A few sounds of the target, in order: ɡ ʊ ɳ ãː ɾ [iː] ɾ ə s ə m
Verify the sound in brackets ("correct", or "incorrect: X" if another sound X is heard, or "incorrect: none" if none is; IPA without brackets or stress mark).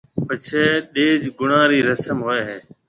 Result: correct